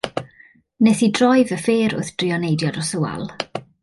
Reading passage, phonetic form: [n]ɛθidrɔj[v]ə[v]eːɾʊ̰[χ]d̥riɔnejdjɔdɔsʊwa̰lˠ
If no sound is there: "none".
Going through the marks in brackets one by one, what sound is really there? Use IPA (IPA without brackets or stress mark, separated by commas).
n, v, f, θ